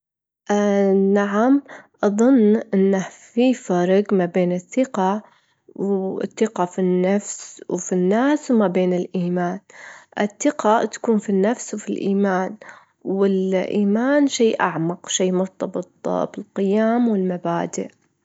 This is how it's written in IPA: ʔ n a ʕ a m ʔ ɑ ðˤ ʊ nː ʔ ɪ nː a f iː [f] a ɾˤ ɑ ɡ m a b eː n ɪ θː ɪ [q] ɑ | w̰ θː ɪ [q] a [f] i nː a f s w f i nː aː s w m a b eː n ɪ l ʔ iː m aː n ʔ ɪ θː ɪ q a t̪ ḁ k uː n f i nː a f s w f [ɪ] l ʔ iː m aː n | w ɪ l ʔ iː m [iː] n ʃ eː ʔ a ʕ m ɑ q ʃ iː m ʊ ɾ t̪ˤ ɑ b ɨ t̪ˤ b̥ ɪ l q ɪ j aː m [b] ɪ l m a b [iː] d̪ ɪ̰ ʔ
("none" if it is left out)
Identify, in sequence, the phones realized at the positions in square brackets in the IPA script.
f, q, q, f, i, aː, w, aː

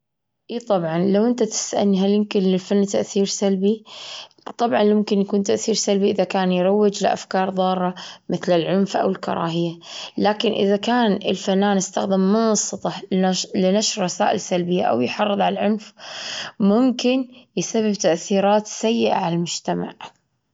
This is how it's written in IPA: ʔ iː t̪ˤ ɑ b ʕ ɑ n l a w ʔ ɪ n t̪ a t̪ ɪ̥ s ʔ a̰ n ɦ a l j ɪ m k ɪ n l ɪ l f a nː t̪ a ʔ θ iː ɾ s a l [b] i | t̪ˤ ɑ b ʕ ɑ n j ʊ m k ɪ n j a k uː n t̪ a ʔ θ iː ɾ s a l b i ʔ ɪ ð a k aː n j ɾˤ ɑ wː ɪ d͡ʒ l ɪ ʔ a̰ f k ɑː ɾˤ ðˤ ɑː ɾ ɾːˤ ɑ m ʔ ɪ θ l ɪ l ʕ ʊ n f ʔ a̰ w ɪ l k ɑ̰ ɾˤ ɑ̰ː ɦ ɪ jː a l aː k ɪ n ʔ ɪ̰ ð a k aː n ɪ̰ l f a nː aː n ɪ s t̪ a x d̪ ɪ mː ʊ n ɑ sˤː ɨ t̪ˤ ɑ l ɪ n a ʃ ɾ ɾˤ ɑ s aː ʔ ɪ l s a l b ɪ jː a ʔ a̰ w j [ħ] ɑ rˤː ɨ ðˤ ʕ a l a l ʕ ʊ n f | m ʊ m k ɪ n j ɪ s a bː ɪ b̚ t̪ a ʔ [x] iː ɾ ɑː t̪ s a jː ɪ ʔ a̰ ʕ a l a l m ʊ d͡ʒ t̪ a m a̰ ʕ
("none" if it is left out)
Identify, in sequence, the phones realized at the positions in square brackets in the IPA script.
b, ħ, θ

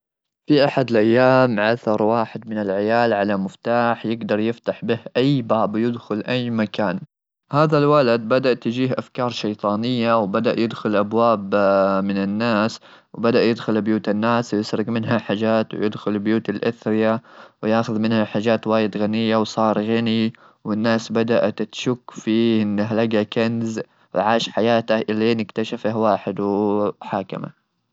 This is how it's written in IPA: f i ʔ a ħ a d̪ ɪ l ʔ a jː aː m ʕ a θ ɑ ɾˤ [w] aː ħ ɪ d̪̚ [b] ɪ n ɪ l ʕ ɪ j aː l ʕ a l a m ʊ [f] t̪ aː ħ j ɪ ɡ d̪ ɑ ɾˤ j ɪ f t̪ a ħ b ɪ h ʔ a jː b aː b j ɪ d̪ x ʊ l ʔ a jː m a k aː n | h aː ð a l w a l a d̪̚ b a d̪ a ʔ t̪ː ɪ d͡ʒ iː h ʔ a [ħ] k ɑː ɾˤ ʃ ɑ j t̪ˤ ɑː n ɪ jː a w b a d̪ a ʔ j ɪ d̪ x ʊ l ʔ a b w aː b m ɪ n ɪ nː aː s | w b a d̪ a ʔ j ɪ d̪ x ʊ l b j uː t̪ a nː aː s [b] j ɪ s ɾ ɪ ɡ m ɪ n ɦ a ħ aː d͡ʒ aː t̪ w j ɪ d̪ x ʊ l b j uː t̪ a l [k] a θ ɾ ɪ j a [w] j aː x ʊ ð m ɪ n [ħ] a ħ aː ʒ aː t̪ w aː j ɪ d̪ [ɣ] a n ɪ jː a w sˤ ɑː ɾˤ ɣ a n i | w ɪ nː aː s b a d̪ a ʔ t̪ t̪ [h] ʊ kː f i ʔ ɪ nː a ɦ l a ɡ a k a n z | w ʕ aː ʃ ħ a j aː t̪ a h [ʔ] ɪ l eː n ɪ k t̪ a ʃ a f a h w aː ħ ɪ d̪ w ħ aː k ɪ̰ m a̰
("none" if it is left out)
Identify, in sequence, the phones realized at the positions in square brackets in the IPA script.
w, m, f, f, w, ʔ, w, h, ɣ, ʃ, ʔ

